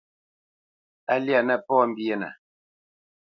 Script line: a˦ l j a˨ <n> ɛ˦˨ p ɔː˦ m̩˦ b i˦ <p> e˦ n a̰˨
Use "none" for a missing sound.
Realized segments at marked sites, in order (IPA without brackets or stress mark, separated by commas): n, none